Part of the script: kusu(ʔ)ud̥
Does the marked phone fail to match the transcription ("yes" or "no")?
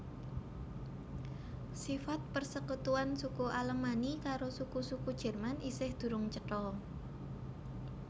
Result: yes